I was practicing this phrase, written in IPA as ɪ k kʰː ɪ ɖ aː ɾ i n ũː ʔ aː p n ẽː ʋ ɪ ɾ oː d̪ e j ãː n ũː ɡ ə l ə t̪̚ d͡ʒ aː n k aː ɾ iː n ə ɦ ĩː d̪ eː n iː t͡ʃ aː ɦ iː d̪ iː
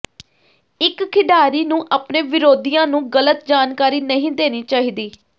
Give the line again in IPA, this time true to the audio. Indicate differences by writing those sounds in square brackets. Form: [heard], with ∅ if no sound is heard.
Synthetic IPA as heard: ɪ k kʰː ɪ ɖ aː ɾ [iː] n ũː ʔ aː p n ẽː ʋ ɪ ɾ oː d̪ [i] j ãː n ũː ɡ ə l ə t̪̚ d͡ʒ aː n k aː ɾ iː n ə ɦ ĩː d̪ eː n iː t͡ʃ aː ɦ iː d̪ iː